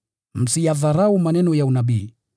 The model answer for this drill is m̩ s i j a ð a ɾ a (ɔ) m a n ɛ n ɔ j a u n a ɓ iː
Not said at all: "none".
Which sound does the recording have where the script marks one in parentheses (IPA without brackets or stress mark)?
u